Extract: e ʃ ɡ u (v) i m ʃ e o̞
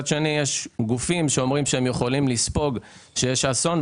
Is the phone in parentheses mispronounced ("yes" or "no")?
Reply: yes